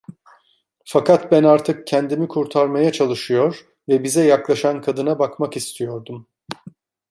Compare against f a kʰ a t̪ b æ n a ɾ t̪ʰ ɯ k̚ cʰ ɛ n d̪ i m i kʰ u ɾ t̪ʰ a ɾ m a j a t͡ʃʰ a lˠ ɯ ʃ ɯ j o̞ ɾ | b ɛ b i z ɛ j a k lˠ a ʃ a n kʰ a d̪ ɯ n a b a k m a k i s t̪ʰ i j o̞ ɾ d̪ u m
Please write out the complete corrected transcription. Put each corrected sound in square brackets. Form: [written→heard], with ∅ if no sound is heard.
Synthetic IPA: f a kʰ a t̪ b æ n a ɾ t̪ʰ ɯ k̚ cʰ ɛ n d̪ i m i kʰ u ɾ t̪ʰ a ɾ m a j a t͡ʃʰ a lˠ ɯ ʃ ɯ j o̞ ɾ | [b→v] ɛ b i z ɛ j a k lˠ a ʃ a n kʰ a d̪ ɯ n a b a k m a k i s t̪ʰ i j o̞ ɾ d̪ u m